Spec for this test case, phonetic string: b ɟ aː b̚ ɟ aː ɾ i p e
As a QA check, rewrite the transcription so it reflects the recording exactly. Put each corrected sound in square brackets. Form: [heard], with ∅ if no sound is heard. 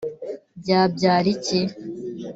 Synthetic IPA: b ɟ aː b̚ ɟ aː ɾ i [c] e